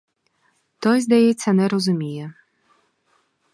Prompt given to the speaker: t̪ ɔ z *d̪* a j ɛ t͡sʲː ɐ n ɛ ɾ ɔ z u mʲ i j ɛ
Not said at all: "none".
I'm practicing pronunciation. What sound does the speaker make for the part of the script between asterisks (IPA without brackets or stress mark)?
d̪